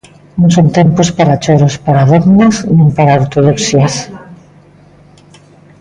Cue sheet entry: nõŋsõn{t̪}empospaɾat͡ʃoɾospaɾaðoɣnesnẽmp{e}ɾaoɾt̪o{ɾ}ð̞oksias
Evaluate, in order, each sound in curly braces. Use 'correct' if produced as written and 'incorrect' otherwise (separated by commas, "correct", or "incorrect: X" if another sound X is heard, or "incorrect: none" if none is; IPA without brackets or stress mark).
correct, incorrect: a, incorrect: none